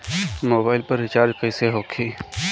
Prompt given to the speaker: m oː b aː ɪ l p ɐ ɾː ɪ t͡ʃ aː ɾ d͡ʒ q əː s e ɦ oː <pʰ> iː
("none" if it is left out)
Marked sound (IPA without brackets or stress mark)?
kʰ